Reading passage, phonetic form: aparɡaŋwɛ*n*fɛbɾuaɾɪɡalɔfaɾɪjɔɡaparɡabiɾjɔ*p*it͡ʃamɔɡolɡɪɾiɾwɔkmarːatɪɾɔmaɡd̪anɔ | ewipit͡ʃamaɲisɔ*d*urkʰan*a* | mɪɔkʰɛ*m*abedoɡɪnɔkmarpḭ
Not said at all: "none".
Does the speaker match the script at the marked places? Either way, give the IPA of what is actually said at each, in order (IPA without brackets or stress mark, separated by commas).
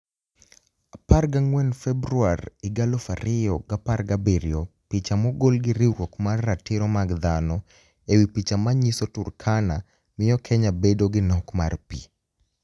n, p, t, a, ɲ